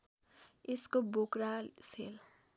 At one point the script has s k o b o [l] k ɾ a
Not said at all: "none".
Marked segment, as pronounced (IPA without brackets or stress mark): none